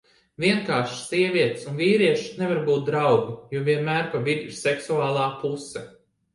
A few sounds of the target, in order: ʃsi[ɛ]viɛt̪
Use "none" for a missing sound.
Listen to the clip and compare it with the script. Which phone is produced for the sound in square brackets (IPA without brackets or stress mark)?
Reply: ɛ